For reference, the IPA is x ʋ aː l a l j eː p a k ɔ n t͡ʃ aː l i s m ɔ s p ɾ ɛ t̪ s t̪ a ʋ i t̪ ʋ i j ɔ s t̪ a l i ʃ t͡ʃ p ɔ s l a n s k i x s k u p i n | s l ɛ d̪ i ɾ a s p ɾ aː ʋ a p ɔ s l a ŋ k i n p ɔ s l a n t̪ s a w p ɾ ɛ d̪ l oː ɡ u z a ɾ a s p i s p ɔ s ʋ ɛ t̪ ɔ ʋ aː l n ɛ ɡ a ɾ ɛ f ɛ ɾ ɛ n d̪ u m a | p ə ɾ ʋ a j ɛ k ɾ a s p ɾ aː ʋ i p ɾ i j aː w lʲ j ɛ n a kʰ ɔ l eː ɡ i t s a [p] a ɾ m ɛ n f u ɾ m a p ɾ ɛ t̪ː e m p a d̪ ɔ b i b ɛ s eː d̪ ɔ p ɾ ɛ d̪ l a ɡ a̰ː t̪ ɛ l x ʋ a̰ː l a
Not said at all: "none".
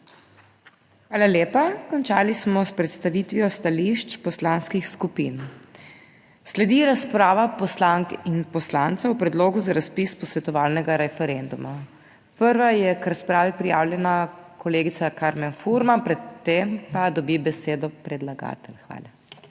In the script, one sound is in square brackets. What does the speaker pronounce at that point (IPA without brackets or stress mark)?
k